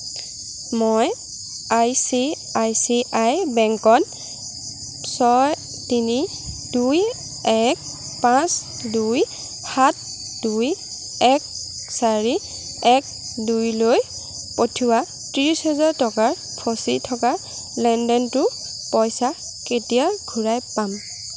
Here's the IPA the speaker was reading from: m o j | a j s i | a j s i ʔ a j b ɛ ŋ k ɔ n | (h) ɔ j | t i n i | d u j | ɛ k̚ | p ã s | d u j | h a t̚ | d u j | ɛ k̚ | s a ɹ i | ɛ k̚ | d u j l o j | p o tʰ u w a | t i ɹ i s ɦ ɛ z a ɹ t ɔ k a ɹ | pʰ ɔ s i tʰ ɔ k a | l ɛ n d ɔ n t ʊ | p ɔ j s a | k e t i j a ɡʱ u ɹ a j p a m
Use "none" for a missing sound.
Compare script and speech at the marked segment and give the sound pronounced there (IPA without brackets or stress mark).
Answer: s